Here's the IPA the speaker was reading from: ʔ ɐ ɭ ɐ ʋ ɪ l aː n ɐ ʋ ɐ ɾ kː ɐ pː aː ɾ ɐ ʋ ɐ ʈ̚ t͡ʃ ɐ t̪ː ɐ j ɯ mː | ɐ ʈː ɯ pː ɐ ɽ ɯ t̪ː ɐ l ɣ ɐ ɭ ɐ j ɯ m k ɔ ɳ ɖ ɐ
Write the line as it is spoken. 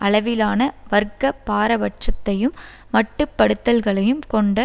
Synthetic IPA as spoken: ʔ ɐ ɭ ɐ ʋ ɪ l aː n ɐ ʋ ɐ ɾ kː ɐ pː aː ɾ ɐ ʋ ɐ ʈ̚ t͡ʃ ɐ t̪ː ɐ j ɯ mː | ɐ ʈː ɯ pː ɐ ɽ ɯ t̪ː ɐ l ɣ ɐ ɭ ɐ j ɯ m k ɔ ɳ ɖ ɐ